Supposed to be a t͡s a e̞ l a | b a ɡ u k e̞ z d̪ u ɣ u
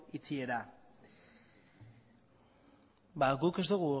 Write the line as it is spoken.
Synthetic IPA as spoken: i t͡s i e̞ ɾ a | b a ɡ u k e̞ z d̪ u ɣ u